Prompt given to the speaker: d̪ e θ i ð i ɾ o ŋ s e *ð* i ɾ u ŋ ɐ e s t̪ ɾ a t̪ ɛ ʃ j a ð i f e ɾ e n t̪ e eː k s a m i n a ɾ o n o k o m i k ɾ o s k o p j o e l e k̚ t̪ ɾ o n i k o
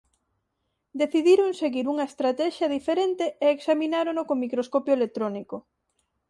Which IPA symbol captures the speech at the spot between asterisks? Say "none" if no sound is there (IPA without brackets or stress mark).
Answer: ɣ